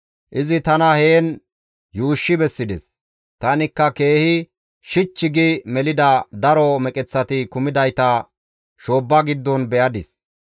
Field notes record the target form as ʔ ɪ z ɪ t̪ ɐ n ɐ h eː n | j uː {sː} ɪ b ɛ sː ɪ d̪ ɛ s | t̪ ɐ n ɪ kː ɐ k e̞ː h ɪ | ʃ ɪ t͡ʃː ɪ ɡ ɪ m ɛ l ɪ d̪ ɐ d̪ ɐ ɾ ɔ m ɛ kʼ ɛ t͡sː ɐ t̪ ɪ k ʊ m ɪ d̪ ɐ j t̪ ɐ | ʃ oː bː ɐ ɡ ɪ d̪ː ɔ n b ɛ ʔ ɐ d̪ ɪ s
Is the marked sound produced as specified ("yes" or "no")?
no